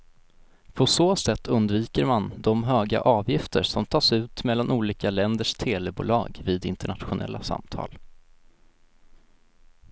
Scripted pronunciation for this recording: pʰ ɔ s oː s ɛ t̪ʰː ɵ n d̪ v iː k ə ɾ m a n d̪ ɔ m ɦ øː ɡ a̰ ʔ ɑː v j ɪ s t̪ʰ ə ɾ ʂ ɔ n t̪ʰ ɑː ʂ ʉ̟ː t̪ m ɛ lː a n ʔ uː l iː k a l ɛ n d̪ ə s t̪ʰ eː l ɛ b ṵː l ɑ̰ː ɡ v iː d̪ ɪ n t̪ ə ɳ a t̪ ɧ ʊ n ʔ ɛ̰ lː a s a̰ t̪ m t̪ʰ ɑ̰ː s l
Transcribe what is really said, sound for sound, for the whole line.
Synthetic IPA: pʰ ɔ s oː s ɛ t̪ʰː ɵ n d̪ v iː k ə ɾ m a n d̪ ɔ m ɦ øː ɡ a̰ ʔ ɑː v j ɪ f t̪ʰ ə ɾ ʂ ɔ m t̪ʰ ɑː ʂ ʉ̟ː t̪ m ɛ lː a n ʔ uː l iː k a l ɛ n d̪ ə ʂ t̪ʰ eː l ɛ b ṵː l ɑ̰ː ɡ v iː d̪ ɪ n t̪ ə ɳ a t̪ ɧ ʊ n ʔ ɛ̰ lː a s a̰ m t̪ʰ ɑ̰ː l